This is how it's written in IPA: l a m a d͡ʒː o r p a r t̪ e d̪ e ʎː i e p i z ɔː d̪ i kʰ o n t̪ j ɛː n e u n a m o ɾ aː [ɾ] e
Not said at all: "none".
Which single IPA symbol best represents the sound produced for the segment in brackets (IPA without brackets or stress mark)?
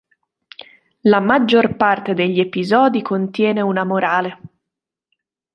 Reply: l